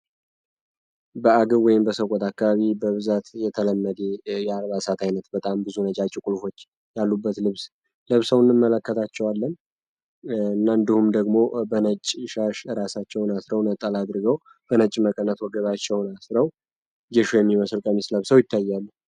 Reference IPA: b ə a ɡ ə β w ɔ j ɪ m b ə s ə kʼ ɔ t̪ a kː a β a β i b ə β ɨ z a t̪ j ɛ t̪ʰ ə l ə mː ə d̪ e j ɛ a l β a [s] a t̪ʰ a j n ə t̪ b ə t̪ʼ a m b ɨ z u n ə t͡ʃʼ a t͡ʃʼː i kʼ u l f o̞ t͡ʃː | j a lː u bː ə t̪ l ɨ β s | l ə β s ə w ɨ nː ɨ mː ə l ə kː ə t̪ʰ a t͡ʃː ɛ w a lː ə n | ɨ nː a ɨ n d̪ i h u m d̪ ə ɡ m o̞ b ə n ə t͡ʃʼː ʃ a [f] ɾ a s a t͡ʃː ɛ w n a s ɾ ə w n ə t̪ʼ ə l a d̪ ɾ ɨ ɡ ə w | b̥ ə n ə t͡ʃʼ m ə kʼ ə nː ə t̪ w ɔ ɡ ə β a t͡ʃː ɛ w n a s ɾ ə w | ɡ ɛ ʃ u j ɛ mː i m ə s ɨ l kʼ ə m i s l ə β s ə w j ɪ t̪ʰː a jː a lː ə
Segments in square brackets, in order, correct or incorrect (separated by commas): correct, incorrect